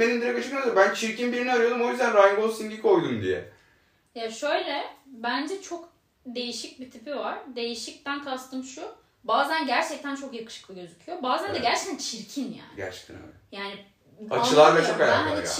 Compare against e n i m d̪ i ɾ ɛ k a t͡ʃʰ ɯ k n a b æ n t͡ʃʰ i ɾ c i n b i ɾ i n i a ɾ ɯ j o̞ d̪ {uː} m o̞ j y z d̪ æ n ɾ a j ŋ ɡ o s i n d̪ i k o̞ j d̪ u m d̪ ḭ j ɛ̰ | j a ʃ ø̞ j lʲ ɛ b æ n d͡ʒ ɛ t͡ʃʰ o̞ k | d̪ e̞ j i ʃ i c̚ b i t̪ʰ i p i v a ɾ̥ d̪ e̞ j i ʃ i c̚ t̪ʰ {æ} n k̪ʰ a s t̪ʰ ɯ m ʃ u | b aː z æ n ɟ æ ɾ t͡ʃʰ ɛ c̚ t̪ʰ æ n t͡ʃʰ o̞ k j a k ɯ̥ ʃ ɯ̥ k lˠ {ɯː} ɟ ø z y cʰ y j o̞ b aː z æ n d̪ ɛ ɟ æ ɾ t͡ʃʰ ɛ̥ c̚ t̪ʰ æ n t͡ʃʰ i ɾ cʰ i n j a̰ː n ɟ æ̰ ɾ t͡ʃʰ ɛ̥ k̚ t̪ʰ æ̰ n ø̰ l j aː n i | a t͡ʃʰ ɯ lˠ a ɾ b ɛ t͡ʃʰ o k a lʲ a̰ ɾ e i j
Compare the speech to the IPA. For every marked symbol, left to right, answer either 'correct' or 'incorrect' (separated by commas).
incorrect, correct, incorrect